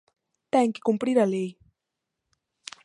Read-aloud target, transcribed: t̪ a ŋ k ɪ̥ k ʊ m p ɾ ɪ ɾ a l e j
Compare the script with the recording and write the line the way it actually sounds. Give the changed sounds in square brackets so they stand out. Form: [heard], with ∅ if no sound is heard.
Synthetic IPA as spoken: t̪ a ŋ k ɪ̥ k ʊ m p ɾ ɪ ɾ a l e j